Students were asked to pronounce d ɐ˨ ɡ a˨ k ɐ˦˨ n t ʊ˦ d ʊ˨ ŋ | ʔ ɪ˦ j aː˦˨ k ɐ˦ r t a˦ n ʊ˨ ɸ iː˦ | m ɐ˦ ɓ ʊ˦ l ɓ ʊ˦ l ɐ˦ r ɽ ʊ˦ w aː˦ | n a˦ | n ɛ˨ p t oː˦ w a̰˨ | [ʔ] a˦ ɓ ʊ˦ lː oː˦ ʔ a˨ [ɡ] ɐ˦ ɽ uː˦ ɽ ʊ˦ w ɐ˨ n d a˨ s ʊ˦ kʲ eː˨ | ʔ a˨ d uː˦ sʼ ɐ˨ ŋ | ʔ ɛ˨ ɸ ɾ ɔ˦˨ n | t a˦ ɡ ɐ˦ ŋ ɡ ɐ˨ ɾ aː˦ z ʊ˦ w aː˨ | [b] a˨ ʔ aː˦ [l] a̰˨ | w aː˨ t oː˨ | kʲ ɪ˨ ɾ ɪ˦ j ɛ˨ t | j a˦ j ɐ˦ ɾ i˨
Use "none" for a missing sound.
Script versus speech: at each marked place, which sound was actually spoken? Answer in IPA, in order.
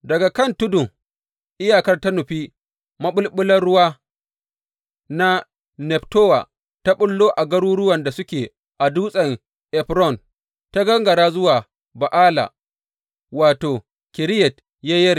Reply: t, ɡ, b, l

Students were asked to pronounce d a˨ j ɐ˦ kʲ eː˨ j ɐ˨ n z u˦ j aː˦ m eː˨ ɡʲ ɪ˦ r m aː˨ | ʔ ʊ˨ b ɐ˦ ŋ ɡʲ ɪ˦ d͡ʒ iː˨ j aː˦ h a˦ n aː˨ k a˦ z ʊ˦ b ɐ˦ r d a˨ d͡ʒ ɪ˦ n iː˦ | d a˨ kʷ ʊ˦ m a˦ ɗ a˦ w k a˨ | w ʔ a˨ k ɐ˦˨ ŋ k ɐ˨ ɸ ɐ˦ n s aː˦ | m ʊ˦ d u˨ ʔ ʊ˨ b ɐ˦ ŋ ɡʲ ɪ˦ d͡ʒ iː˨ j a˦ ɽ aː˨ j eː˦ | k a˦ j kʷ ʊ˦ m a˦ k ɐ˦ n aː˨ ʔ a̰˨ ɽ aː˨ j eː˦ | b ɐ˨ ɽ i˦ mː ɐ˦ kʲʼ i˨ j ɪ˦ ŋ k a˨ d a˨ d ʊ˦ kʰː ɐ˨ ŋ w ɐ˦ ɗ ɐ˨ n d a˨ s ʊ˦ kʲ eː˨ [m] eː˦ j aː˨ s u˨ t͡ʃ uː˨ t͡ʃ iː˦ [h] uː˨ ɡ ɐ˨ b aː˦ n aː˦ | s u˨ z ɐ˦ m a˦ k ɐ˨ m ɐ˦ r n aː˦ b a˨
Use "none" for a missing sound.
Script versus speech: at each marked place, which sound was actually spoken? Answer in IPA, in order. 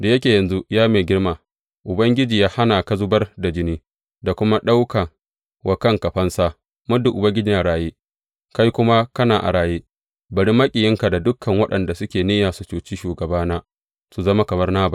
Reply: n, ʃ

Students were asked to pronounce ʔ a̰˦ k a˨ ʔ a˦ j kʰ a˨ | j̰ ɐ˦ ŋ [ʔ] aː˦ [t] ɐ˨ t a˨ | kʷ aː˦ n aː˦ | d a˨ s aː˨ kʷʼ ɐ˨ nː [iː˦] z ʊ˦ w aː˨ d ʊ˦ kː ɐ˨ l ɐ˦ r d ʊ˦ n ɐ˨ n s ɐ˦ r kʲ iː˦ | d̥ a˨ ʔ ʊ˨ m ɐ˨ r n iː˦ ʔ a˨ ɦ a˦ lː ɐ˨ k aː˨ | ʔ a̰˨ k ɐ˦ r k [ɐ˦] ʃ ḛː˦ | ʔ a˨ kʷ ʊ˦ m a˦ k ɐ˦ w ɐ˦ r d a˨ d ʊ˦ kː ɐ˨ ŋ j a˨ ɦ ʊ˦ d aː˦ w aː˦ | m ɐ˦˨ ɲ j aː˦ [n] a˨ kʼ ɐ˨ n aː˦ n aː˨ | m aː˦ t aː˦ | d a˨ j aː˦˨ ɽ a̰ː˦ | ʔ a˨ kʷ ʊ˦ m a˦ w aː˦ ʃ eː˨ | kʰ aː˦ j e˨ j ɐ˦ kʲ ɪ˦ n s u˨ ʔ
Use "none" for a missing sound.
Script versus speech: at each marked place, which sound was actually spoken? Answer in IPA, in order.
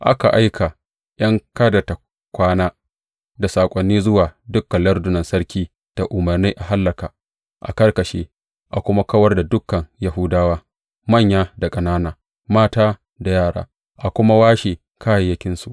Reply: k, d, iː˦, ɐ˨, d

